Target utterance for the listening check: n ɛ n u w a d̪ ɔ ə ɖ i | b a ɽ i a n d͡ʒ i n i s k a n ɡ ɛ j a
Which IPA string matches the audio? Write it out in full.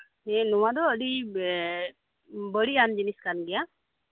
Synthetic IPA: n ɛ n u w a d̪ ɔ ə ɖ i | b ə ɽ i a n d͡ʒ i n i s k a n ɡ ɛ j a